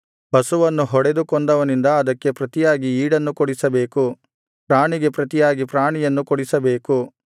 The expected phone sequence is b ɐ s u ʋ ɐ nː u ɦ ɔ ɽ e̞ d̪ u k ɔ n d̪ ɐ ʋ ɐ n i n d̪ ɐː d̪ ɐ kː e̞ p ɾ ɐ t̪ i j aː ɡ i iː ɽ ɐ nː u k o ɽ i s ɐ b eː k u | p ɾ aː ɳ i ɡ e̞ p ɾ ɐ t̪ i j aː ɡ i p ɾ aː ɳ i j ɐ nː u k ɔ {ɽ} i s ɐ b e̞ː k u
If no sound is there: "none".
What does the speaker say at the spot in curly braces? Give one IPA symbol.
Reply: ɽ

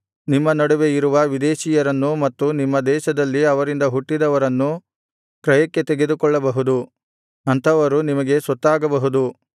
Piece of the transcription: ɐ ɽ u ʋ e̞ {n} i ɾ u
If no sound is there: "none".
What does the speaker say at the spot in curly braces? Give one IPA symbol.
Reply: none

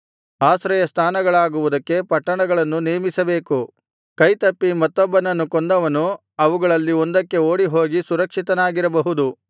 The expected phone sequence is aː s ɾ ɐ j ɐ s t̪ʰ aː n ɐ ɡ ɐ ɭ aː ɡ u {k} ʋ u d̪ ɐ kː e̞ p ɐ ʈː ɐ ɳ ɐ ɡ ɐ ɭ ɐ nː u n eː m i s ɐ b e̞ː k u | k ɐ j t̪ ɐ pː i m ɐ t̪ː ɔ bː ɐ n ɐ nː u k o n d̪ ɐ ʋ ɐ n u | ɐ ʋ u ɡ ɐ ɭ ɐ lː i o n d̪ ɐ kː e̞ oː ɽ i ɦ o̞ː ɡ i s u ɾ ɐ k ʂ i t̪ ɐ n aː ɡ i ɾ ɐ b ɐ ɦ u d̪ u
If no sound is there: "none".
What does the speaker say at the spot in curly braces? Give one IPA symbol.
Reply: none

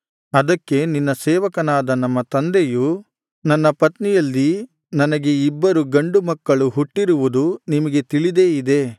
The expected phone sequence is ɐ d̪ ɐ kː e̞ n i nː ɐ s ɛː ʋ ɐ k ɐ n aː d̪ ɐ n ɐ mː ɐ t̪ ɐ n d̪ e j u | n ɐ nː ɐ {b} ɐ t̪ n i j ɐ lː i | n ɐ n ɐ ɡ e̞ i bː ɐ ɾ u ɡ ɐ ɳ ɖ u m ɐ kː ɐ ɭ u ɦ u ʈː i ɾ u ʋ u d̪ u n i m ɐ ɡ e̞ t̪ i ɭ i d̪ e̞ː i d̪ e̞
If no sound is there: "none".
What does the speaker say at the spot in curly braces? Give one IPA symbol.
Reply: p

